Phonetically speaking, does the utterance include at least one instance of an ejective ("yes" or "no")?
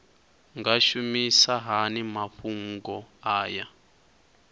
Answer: no